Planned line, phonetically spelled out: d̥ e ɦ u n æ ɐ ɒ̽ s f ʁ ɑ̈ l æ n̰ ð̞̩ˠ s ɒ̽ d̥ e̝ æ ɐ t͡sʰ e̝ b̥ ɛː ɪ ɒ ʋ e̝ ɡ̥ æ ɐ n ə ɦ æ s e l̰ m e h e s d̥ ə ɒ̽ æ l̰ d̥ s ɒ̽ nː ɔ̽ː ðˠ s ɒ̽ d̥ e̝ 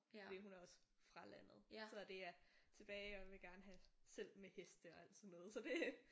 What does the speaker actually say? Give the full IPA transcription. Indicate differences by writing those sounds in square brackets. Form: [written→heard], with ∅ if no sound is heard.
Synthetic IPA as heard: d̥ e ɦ u n æ ɐ ɒ̽ s f ʁ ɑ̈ l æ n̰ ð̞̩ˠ s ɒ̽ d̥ e̝ æ ɐ t͡sʰ e̝ b̥ ɛː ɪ ɒ ʋ e̝ ɡ̥ æ ɐ n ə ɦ æ s e l̰ m e h e s d̥ ə ɒ̽ æ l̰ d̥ s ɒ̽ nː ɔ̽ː ðˠ s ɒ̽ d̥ e̝

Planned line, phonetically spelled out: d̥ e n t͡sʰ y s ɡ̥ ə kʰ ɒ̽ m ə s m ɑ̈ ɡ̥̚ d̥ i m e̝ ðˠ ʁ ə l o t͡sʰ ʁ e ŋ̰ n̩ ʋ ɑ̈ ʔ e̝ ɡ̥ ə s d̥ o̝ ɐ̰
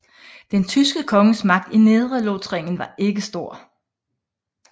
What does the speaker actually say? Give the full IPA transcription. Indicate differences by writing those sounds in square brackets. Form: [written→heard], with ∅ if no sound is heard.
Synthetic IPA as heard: d̥ e n t͡sʰ y s ɡ̥ ə kʰ ɒ̽ [m→ŋ] ə s m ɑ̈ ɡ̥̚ d̥ i [m→n] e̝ ðˠ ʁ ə l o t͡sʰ ʁ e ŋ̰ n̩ ʋ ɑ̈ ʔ e̝ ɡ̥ ə s d̥ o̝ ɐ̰

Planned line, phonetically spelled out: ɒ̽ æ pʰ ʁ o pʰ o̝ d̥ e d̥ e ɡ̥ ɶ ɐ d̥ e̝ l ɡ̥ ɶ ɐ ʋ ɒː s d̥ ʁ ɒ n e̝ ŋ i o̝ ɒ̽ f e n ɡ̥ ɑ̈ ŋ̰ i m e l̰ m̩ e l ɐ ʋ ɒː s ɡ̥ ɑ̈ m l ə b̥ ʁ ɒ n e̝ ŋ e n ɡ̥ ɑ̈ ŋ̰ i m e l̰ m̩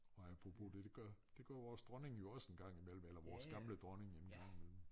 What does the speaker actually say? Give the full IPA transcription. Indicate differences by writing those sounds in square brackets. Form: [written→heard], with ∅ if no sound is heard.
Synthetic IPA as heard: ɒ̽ æ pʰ ʁ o pʰ o̝ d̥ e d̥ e ɡ̥ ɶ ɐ d̥ e̝ [l→∅] ɡ̥ ɶ ɐ ʋ ɒː s d̥ ʁ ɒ n e̝ ŋ [i→j] o̝ ɒ̽ [f→s] e n ɡ̥ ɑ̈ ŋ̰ i m e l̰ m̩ e l ɐ ʋ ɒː s ɡ̥ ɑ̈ m l ə [b̥→d̥] ʁ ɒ n e̝ ŋ e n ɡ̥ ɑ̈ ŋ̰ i m e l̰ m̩

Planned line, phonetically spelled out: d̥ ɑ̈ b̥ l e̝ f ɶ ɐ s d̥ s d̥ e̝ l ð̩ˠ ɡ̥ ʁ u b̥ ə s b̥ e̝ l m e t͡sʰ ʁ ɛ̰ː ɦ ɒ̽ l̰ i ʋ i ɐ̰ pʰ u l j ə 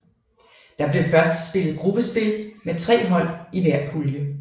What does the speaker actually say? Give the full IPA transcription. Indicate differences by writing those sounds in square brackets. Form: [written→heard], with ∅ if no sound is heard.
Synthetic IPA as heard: d̥ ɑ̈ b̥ l e̝ f ɶ ɐ s d̥ s [d̥→b̥] e̝ l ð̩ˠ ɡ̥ ʁ u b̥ ə s b̥ e̝ l m e t͡sʰ ʁ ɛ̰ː ɦ ɒ̽ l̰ i ʋ [i→æ] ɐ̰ pʰ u l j ə

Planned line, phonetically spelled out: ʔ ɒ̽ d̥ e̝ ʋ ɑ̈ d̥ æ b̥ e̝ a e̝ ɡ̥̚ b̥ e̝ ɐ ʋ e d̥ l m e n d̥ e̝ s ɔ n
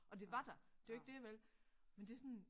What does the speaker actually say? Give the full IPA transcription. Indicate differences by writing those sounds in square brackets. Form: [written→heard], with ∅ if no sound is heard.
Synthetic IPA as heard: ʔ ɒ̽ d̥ e̝ ʋ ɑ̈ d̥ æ [b̥→d̥] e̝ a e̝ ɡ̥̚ [b̥→d̥] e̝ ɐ ʋ e [d̥→∅] l m e n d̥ e̝ s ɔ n

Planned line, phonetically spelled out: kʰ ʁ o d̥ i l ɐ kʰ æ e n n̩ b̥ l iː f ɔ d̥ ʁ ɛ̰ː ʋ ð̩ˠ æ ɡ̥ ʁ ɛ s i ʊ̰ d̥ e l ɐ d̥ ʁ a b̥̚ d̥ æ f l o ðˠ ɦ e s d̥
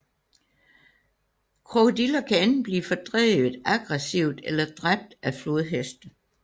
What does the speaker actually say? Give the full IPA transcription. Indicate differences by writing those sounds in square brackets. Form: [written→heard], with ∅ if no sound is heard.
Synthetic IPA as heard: kʰ ʁ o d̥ i l ɐ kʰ æ e n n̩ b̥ l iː f [ɔ→ɒ] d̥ ʁ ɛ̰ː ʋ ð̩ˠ æ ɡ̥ ʁ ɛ s i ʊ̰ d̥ e l ɐ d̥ ʁ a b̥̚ d̥ æ f l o ðˠ ɦ e s d̥

